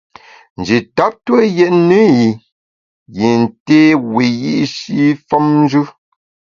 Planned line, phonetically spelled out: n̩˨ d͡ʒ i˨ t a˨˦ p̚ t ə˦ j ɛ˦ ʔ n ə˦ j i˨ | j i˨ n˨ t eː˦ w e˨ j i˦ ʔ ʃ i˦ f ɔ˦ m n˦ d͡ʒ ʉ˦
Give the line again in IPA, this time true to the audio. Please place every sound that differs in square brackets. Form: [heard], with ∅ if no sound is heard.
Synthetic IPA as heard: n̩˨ d͡ʒ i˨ t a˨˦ p̚ t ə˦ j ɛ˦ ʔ n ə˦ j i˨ | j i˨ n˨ t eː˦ w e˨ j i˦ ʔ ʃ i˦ f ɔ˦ m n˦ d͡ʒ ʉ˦